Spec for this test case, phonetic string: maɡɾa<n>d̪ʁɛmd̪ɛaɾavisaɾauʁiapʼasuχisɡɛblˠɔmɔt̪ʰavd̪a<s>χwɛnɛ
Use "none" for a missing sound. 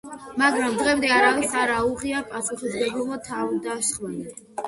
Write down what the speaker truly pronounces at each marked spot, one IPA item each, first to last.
m, ʃ

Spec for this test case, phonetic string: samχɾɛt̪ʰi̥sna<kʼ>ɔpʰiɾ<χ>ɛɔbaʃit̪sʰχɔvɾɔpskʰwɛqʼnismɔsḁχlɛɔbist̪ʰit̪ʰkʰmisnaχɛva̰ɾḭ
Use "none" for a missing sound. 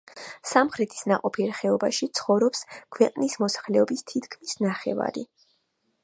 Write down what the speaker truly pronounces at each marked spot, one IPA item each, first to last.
qʼ, χ

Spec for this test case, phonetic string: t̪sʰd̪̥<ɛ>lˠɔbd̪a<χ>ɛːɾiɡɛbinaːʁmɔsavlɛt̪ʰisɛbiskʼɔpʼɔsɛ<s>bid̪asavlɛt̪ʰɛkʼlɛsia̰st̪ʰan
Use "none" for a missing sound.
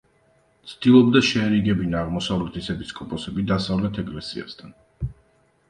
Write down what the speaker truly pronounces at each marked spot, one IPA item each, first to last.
i, ʃ, none

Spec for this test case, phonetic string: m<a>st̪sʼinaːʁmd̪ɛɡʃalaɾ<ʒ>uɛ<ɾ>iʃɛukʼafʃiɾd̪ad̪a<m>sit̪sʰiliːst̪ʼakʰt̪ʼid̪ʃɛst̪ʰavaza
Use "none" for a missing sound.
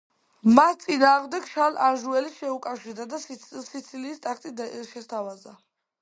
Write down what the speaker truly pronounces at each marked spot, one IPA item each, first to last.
a, ʒ, l, none

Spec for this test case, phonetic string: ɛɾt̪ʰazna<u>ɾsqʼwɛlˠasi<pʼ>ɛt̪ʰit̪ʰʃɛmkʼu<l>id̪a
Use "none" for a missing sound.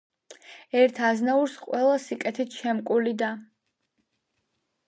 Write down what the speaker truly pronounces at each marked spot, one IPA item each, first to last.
u, kʼ, l

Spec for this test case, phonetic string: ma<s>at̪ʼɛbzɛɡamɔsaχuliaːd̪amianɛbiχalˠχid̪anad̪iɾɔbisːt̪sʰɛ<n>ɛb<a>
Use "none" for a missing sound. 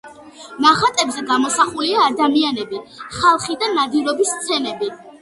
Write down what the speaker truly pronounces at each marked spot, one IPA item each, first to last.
χ, n, i

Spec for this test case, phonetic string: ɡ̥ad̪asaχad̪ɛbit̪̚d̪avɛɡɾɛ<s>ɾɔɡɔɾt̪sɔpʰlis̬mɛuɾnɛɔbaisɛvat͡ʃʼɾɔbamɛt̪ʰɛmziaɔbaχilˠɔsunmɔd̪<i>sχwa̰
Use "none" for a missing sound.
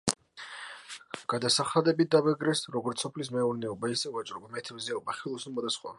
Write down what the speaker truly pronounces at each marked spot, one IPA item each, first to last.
s, a

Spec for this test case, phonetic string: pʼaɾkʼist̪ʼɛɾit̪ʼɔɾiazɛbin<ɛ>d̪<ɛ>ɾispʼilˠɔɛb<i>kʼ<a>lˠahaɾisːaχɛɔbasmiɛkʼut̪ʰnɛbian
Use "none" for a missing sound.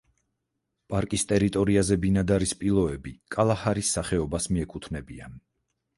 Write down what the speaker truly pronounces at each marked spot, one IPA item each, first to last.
a, a, i, a

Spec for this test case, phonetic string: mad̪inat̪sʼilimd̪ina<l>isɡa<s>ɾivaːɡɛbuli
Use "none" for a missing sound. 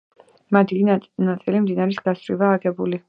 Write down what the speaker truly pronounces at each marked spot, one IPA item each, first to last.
ɾ, s

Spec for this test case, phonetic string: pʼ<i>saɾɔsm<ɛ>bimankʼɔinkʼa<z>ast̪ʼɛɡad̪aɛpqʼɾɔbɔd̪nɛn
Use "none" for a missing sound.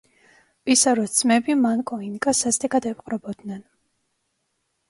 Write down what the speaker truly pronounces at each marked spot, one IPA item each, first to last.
i, ɛ, s

